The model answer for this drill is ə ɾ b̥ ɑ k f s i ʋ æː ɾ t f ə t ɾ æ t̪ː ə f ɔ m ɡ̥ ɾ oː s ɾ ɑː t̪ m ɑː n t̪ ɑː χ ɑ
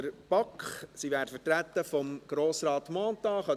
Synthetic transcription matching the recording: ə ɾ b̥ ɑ k χ s i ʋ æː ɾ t f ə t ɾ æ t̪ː ə f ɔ m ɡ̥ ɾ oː s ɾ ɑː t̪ m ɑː n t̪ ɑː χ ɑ